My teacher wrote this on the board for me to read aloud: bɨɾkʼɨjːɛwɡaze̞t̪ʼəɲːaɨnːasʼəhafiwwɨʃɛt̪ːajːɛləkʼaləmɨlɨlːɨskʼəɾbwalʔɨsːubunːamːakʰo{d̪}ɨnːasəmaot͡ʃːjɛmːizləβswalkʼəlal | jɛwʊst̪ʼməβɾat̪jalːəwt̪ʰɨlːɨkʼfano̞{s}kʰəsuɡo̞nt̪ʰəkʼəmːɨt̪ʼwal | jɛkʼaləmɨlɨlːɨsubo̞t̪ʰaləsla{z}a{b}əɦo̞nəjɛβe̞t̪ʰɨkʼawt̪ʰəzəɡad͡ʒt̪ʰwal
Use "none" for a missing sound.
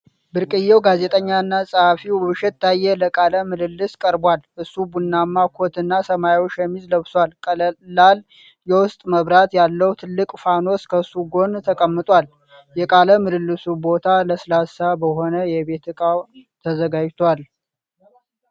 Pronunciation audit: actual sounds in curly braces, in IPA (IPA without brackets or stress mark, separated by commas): t̪, s, s, b